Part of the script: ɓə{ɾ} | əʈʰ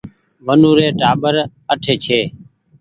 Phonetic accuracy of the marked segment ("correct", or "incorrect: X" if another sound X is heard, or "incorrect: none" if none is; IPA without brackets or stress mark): correct